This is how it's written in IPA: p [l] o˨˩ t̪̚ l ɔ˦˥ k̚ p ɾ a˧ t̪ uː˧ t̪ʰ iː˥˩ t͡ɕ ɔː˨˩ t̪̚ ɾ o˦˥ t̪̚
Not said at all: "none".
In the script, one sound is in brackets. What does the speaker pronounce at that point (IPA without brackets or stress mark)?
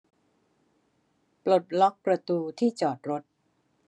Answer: l